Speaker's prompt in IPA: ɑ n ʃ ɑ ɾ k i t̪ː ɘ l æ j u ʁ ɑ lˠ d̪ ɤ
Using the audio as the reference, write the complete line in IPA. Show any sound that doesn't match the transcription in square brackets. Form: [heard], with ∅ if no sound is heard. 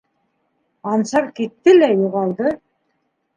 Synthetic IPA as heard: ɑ n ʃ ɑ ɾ k i t̪ː ɘ l æ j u ʁ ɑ lˠ d̪ ɤ